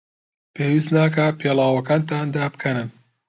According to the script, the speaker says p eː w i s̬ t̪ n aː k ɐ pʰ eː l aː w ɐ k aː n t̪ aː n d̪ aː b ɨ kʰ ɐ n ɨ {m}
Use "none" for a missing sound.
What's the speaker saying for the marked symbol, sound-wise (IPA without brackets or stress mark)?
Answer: n